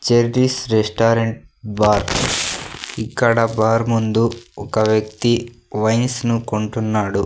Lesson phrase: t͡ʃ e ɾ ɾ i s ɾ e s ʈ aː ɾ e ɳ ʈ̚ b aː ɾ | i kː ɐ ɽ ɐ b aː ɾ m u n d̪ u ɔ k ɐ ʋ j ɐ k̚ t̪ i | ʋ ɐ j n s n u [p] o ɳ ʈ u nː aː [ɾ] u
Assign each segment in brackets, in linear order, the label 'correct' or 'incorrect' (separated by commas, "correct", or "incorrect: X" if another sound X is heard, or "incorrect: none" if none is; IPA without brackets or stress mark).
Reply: incorrect: k, incorrect: ɽ